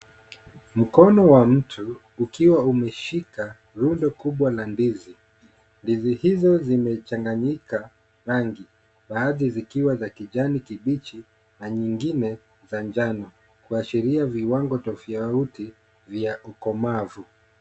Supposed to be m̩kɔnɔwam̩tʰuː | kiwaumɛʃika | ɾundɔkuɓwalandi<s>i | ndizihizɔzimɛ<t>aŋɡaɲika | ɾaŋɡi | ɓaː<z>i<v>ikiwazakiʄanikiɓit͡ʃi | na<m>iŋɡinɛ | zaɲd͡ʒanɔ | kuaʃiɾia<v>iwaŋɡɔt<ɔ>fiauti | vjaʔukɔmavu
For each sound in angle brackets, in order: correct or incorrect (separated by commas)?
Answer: incorrect, incorrect, incorrect, incorrect, incorrect, correct, correct